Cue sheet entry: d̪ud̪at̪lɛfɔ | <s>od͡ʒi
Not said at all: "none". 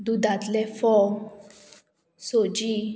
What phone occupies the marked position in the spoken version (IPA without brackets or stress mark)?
s